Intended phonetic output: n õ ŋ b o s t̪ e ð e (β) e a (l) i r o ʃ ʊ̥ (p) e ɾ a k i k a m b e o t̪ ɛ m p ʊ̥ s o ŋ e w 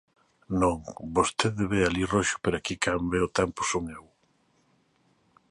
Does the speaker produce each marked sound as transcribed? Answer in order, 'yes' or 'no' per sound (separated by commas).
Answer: yes, yes, yes